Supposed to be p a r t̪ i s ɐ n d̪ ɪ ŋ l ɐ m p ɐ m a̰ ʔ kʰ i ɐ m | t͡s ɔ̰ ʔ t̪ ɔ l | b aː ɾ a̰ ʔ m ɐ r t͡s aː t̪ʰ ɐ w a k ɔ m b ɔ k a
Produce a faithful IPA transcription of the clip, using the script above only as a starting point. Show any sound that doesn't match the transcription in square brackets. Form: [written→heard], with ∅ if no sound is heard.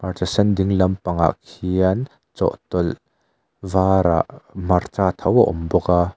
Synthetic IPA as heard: p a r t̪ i s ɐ n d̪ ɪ ŋ l ɐ m p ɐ [m→ŋ] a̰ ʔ kʰ i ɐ [m→n] | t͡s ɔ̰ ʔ t̪ ɔ l | [b→v] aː ɾ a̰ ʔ m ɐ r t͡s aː t̪ʰ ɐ w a [k→ʔ] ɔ m b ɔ k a

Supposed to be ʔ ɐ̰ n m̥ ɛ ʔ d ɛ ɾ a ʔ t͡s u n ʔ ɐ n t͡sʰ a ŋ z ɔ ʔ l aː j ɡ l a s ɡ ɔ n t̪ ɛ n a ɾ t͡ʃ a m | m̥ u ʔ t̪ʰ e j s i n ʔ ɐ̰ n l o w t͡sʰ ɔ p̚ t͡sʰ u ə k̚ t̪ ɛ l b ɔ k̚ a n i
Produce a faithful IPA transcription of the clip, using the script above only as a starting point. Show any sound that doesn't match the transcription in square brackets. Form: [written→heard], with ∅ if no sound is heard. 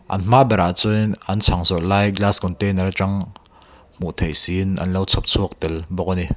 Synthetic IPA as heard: ʔ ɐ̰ n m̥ [ɛ→a] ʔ [d→b] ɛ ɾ a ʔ t͡s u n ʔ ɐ n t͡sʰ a ŋ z ɔ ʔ l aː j ɡ l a s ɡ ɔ n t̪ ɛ n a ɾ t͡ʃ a [m→ŋ] | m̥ u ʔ t̪ʰ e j s i n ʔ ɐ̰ n l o w t͡sʰ ɔ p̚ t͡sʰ u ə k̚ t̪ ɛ l b ɔ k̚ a n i

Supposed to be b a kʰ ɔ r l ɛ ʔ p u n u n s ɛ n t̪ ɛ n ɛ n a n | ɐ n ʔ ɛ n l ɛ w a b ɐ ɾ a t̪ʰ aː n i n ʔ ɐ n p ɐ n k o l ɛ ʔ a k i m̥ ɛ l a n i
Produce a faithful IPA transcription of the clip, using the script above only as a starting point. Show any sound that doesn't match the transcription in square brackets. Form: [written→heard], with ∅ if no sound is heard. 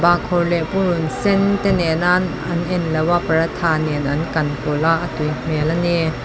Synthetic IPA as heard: b a kʰ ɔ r l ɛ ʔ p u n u n s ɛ n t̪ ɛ n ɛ n a n | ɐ n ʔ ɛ n l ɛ w a [b→p] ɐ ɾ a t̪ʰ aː n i n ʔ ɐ n [p→k] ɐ n k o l [ɛ→a] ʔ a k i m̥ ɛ l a n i

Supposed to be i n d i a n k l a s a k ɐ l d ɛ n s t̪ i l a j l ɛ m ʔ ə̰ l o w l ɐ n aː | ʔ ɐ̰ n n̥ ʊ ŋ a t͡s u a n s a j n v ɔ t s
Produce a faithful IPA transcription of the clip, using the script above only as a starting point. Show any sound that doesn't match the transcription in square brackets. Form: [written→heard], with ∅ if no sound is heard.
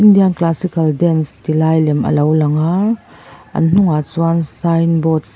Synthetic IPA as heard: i n d i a n k l a s [a→i] k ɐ l d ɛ n s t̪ i l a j l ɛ m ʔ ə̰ l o w l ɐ [n→ŋ] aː | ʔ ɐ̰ n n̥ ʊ ŋ a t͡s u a n s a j n [v→b] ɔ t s

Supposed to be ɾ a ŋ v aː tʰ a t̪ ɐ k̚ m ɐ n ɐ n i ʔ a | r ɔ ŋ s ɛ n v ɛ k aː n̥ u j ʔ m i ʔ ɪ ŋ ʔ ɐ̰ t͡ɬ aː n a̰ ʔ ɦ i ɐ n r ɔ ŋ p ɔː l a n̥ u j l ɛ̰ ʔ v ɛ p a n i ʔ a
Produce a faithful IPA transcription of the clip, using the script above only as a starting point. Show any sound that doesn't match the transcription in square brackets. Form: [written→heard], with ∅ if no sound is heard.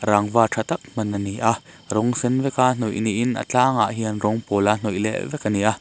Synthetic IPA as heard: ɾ a ŋ v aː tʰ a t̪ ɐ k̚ m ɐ n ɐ n i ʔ a | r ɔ ŋ s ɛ n v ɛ k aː n̥ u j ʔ [m→n] i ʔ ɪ [ŋ→n] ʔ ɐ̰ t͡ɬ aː [n→ŋ] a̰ ʔ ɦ i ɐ n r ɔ ŋ p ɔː l a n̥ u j l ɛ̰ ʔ v ɛ [p→k] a n i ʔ a

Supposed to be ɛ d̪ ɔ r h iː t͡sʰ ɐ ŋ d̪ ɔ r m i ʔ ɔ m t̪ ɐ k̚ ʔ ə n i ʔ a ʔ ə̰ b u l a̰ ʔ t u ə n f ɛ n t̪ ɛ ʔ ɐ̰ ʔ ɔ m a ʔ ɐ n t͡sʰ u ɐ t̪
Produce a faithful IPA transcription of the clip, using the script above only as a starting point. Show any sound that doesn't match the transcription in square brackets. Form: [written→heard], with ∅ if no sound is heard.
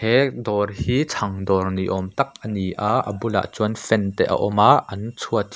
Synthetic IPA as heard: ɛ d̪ ɔ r h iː t͡sʰ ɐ ŋ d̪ ɔ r [m→n] i ʔ ɔ m t̪ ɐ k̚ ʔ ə n i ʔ a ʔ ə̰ b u l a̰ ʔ [t→t͡s] u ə n f ɛ n t̪ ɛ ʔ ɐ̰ ʔ ɔ m a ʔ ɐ n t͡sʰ u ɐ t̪

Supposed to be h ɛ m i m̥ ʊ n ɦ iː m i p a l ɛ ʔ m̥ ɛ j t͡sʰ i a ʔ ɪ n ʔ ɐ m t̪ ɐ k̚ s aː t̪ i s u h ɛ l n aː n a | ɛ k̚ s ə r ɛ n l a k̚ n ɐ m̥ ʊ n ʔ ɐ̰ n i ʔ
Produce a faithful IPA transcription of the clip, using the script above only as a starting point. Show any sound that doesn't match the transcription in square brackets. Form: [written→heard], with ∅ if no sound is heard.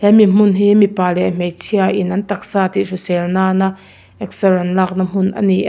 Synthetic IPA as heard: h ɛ m i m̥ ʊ n ɦ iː m i p a l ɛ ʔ m̥ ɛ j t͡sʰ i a ʔ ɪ n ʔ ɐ [m→n] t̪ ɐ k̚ s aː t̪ i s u [h→s] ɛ l n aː n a | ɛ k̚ s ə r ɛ n l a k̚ n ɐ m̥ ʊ n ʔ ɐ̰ n i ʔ

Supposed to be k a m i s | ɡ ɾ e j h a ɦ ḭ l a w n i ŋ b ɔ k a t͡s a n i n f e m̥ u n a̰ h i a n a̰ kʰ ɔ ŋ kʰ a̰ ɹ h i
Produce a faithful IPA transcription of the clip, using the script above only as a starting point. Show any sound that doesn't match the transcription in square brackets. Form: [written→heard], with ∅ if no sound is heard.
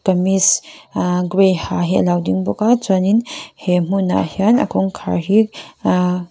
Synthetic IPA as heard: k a m i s | ɡ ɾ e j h a ɦ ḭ l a w [n→d] i ŋ b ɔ k a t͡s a n i n [f→h] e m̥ u n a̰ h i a n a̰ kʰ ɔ ŋ kʰ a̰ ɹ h i

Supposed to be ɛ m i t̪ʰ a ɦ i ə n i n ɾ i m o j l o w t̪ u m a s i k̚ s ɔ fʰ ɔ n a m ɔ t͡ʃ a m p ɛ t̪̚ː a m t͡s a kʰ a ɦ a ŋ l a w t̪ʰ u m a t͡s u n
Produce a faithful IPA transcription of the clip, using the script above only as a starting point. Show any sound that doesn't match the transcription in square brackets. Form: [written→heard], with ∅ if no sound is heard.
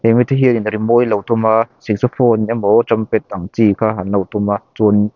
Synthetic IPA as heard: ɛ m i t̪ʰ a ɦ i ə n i n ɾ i m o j l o w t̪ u m a s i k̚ s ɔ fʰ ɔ n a m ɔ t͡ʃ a m p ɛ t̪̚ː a [m→ŋ] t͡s [a→i] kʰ a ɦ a [ŋ→n] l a w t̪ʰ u m a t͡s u n

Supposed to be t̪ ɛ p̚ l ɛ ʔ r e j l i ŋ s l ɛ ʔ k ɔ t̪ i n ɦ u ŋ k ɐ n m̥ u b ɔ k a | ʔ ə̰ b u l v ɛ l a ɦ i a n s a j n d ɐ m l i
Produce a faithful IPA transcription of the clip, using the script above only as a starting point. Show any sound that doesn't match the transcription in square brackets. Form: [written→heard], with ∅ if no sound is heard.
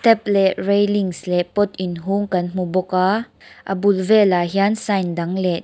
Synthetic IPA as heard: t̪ ɛ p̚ l ɛ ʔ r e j l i ŋ s l ɛ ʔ [k→p] ɔ t̪ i n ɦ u ŋ k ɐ n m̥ u b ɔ k a | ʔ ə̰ b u l v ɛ l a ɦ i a n s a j n d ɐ [m→ŋ] l [i→ɛ]

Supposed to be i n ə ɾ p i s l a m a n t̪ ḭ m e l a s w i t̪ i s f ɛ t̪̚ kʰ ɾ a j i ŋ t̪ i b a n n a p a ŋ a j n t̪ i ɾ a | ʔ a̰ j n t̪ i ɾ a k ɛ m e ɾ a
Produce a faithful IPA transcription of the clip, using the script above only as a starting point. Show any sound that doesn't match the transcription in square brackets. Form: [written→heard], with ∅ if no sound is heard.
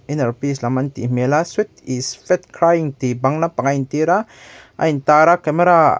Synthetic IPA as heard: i n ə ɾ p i s l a m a n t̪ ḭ m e l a s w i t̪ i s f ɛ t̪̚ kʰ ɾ a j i ŋ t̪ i b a [n→ŋ] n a p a ŋ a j n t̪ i ɾ a | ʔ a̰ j n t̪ [i→a] ɾ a k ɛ m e ɾ a

